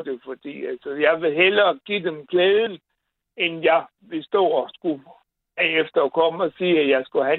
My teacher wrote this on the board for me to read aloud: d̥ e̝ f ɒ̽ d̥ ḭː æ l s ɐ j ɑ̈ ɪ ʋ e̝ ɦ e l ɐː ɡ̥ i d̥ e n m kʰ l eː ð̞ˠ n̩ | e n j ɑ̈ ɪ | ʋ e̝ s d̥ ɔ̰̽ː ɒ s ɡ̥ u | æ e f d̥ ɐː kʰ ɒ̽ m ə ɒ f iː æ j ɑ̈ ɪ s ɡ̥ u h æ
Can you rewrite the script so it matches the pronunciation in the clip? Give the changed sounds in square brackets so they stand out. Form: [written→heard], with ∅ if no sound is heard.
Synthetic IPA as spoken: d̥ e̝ f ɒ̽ d̥ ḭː æ l s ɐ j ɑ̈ ɪ ʋ e̝ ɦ e l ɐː ɡ̥ i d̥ e [n→∅] m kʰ l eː ð̞ˠ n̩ | e n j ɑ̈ ɪ | ʋ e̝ s d̥ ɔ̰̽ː ɒ s ɡ̥ u | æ e f d̥ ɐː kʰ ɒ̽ m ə ɒ [f→s] iː æ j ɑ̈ ɪ s ɡ̥ u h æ